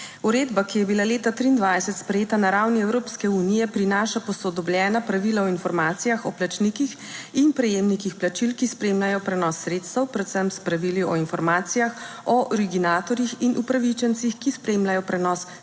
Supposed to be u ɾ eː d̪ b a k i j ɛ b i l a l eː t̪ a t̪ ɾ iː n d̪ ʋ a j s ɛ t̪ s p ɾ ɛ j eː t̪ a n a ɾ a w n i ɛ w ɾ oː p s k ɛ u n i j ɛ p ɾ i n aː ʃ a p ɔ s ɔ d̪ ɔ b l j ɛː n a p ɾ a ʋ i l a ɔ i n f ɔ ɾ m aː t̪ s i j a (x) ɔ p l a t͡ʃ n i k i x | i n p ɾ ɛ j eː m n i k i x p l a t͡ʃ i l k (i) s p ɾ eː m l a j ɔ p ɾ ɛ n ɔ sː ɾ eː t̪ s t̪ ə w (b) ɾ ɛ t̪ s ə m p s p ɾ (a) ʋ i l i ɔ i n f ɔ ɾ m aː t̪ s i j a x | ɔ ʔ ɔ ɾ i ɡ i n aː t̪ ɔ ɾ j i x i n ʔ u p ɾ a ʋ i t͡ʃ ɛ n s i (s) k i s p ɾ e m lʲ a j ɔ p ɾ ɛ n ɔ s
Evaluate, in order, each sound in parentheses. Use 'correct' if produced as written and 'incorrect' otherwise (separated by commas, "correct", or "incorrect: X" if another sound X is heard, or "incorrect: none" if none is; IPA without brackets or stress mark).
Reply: correct, correct, incorrect: p, correct, incorrect: x